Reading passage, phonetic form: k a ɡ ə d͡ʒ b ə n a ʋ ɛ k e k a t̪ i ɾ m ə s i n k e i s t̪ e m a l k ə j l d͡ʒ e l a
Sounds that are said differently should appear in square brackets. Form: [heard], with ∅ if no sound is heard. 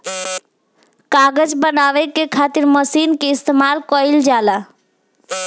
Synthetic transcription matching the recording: k a ɡ ə d͡ʒ b ə n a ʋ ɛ k e [kʰ] a t̪ i ɾ m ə s i n k e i s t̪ e m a l k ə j l d͡ʒ [a] l a